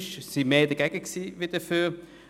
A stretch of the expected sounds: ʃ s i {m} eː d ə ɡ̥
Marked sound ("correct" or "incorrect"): correct